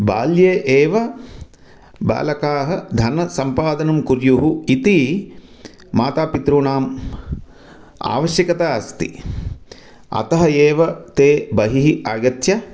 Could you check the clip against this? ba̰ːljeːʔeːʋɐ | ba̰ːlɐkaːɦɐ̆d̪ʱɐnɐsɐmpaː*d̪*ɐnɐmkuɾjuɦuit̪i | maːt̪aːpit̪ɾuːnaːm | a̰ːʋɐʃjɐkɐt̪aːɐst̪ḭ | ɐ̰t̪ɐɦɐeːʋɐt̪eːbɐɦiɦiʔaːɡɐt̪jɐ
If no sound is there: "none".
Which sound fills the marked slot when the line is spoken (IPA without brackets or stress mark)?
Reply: d̪